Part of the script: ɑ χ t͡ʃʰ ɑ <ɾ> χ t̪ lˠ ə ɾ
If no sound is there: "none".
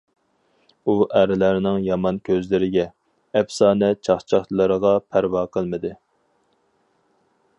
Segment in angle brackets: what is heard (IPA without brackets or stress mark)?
none